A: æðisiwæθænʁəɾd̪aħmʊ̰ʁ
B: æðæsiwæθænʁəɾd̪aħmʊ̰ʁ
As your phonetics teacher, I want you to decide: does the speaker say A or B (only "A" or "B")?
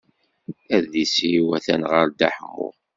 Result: A